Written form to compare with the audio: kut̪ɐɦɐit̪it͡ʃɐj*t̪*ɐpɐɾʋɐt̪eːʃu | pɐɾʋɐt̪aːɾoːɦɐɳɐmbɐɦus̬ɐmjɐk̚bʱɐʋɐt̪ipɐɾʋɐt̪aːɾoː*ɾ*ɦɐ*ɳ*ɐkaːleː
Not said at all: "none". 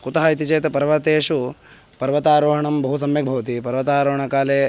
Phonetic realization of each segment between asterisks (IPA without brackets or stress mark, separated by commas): t̪, none, ɳ